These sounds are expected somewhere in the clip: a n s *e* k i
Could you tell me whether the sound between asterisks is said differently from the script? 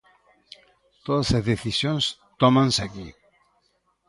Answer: yes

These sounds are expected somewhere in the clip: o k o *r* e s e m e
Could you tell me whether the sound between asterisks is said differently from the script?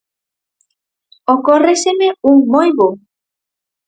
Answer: no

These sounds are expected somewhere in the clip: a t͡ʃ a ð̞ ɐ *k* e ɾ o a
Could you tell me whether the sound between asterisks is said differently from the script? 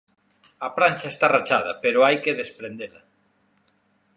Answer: yes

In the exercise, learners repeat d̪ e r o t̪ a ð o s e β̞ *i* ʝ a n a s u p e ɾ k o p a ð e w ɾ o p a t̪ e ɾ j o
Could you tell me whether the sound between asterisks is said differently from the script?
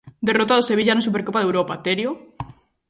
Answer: no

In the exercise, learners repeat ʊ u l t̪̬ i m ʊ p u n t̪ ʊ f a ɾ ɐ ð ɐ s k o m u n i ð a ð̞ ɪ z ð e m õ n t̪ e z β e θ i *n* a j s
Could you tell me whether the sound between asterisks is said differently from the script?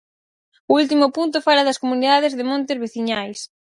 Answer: yes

